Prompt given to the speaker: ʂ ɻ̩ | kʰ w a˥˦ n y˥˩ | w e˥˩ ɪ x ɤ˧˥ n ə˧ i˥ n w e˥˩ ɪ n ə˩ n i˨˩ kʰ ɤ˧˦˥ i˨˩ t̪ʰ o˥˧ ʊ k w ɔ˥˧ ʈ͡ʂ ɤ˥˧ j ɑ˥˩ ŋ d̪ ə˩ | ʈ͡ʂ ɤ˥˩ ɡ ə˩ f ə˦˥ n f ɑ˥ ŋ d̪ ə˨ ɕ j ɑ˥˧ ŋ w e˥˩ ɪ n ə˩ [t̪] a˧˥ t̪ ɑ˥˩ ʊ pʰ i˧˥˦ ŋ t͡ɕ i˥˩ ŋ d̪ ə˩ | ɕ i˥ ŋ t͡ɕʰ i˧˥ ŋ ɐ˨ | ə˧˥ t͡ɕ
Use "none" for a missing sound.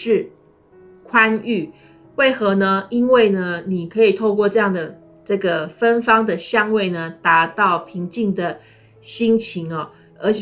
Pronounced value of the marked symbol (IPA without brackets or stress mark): t̪